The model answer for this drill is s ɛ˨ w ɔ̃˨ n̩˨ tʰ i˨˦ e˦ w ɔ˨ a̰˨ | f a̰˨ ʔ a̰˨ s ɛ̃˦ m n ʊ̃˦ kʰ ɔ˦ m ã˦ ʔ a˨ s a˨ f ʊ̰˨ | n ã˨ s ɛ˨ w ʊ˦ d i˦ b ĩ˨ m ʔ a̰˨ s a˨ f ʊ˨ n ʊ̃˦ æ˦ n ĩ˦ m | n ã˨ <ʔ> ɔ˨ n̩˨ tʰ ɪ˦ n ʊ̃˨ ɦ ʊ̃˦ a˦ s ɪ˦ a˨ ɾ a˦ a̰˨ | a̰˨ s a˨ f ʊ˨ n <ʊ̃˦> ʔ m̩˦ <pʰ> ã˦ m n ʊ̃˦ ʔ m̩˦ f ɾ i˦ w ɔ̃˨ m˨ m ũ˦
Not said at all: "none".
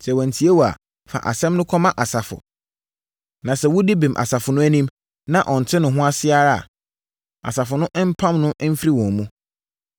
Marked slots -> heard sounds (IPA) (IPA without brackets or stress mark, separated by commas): ʔ, ʊ̃˦, pʰ